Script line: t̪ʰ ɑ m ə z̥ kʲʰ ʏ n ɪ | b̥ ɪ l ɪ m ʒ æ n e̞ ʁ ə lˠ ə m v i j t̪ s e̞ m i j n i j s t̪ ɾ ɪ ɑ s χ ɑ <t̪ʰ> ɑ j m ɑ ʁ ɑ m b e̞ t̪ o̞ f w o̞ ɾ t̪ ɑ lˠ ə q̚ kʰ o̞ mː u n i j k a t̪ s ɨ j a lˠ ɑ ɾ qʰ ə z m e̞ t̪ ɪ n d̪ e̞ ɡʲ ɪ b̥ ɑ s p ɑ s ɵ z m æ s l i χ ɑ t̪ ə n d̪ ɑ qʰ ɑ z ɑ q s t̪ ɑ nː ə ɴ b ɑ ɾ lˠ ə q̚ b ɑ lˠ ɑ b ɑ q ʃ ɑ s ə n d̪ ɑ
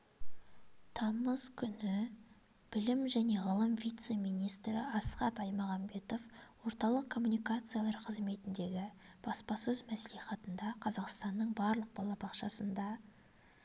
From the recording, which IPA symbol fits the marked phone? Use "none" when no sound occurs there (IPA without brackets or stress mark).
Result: t̪